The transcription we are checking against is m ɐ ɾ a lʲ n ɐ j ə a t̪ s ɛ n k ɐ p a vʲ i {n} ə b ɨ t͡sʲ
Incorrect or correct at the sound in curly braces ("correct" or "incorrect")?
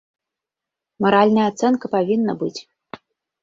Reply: incorrect